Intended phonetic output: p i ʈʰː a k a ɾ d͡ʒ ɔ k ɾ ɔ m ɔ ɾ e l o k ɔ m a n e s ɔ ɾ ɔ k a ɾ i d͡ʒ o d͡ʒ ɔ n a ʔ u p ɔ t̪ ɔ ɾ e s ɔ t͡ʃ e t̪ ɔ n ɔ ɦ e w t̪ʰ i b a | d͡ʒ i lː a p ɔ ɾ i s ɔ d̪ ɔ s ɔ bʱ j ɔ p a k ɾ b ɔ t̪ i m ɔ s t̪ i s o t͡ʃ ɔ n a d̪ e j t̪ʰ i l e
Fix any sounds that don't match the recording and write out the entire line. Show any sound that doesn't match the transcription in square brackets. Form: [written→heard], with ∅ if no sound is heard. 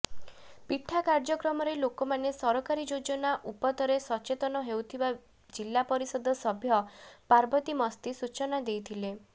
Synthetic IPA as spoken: p i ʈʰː a k a ɾ d͡ʒ ɔ k ɾ ɔ m ɔ ɾ e l o k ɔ m a n e s ɔ ɾ ɔ k a ɾ i d͡ʒ o d͡ʒ ɔ n a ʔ u p ɔ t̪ ɔ ɾ e s ɔ t͡ʃ e t̪ ɔ n ɔ ɦ e w t̪ʰ i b a | d͡ʒ i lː a p ɔ ɾ i s ɔ d̪ ɔ s ɔ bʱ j ɔ p a [k→∅] ɾ b ɔ t̪ i m ɔ s t̪ i s [o→u] t͡ʃ ɔ n a d̪ e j t̪ʰ i l e